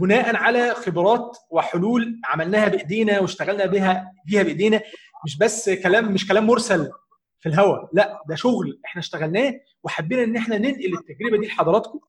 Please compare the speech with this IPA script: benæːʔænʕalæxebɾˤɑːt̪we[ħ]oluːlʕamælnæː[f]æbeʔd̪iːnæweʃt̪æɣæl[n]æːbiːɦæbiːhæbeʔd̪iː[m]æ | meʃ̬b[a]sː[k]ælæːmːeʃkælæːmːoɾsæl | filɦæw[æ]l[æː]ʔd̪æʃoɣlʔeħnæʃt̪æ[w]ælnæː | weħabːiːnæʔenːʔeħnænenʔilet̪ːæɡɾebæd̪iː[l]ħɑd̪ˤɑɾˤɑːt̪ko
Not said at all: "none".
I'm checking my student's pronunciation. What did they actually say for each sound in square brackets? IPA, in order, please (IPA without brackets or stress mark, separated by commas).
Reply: ħ, h, n, n, æ, k, æ, æ, ɣ, l